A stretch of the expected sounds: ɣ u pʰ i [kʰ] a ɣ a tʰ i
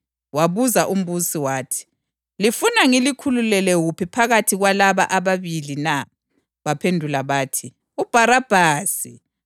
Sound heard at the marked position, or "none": pʰ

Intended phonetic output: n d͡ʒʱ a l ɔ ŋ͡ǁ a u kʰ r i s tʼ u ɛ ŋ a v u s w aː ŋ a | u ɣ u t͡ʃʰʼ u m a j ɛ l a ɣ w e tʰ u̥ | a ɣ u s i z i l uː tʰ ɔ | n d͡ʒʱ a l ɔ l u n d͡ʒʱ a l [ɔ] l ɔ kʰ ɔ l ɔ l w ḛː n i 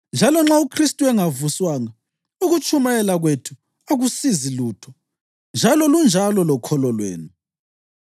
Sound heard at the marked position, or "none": ɔ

